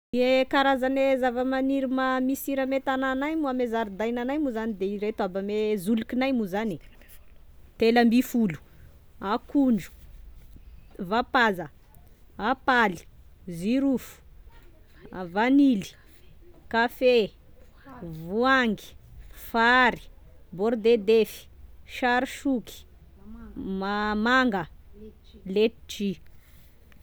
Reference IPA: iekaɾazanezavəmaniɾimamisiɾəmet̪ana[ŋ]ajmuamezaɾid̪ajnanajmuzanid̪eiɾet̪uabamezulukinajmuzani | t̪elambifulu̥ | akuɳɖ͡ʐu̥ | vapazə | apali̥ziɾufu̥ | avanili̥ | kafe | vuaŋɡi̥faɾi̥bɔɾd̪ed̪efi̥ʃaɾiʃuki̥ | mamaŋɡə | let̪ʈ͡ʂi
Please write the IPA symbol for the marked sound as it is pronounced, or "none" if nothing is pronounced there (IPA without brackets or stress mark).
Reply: n